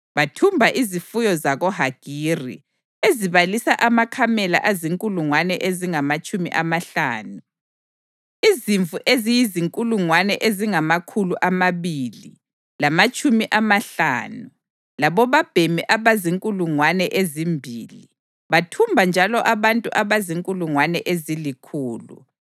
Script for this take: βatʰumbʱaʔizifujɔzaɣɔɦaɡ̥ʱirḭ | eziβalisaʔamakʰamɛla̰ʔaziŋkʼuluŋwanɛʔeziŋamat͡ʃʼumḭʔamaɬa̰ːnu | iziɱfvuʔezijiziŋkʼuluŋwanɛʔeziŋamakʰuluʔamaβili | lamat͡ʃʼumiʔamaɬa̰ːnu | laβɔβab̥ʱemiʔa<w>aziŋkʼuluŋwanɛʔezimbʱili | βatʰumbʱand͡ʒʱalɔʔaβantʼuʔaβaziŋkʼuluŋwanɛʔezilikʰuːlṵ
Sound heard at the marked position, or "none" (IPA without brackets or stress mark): β